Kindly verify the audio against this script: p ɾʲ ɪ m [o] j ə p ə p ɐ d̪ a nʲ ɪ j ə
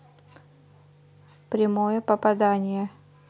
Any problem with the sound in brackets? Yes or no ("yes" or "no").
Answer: no